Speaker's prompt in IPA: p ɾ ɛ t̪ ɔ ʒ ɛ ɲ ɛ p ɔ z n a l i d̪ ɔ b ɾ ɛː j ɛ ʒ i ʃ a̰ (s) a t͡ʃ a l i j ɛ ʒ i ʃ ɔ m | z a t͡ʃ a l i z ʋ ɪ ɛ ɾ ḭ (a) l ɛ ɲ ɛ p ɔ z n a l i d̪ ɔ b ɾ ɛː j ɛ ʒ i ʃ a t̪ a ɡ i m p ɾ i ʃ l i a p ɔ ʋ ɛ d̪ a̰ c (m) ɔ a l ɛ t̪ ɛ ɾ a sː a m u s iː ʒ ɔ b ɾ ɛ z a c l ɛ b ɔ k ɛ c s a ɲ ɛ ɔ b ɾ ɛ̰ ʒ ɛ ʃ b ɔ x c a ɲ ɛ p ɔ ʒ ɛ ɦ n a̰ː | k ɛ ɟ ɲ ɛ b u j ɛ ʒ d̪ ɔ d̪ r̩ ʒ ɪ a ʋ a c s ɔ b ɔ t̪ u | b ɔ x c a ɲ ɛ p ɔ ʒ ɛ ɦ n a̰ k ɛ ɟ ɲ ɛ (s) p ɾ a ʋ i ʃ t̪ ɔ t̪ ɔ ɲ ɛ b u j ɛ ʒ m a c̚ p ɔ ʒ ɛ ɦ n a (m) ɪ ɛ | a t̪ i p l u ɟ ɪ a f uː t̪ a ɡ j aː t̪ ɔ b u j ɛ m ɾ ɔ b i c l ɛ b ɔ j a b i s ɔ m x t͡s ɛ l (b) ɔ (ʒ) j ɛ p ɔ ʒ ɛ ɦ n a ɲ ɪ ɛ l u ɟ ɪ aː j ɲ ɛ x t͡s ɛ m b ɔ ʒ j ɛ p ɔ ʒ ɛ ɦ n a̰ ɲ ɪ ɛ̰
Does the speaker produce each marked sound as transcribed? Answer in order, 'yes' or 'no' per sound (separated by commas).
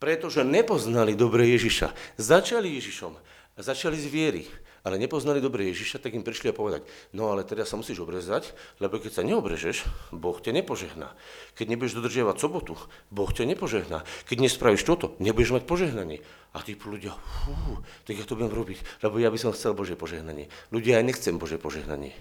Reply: no, yes, no, yes, no, yes, yes